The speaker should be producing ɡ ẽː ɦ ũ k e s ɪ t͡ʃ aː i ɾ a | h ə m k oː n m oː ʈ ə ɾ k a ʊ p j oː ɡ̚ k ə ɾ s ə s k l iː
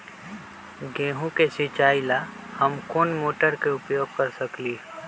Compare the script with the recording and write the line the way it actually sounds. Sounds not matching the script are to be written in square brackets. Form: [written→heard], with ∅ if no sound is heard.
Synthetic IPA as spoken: ɡ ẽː ɦ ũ k e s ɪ t͡ʃ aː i [ɾ→l] a | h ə m k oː n m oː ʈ ə ɾ k [a→e] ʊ p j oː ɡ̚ k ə ɾ s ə [s→∅] k l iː